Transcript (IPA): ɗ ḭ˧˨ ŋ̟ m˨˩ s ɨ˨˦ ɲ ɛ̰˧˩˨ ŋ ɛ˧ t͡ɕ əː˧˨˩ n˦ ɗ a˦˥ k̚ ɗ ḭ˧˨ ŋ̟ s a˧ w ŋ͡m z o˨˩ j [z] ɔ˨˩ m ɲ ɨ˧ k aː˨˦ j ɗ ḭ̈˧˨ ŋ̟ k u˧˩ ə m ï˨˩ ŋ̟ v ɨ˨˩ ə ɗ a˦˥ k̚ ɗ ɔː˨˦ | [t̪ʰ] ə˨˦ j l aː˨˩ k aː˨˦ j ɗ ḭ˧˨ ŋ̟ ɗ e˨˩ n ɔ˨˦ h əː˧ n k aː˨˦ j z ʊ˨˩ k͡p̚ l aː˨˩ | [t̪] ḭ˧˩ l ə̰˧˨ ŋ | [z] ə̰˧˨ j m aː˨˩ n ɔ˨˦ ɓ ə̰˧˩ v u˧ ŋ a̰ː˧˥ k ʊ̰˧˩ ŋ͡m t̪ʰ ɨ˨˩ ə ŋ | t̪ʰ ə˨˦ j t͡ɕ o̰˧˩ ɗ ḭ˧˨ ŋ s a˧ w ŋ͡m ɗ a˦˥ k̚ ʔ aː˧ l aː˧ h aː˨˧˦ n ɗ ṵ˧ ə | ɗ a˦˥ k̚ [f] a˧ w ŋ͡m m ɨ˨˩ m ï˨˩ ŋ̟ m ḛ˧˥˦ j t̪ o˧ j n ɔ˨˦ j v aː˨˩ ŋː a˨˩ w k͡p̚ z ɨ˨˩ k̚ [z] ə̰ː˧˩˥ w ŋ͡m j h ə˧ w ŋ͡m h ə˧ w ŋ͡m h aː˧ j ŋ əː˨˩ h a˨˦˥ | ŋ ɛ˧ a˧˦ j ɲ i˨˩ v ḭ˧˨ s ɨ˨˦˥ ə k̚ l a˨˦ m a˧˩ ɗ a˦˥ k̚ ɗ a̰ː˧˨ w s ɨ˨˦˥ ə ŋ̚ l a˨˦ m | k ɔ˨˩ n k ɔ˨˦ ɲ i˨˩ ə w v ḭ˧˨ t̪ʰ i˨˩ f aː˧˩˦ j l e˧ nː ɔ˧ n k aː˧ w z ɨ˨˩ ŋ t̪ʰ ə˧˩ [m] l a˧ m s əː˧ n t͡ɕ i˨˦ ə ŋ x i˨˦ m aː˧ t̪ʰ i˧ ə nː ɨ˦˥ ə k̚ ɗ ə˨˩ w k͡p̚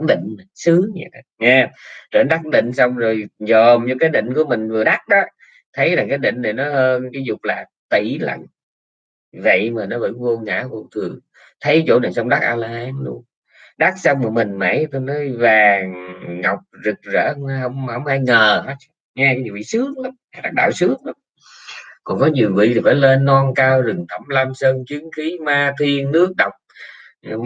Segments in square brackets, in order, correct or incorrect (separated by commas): correct, correct, correct, incorrect, incorrect, correct, correct